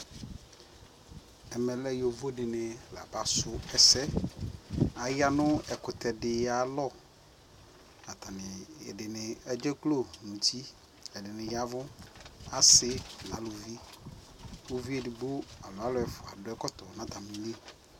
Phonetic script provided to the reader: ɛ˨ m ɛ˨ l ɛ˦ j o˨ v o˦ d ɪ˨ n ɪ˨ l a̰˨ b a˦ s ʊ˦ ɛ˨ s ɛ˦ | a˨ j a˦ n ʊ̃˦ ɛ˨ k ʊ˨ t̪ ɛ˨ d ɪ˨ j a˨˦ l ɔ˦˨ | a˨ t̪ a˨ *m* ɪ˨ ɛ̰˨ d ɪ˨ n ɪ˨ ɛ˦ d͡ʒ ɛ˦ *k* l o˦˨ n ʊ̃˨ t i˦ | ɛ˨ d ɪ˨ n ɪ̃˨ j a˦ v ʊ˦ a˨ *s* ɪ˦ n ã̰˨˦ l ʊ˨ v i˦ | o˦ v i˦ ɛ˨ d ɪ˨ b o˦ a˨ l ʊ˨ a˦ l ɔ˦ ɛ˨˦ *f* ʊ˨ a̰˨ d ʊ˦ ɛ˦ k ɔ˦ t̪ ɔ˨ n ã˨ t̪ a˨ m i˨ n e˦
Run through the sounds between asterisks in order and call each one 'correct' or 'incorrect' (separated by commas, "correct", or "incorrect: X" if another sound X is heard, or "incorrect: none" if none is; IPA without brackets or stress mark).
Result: incorrect: n, correct, correct, correct